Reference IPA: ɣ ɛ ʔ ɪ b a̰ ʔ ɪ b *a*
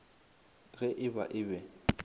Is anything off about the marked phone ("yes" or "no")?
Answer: yes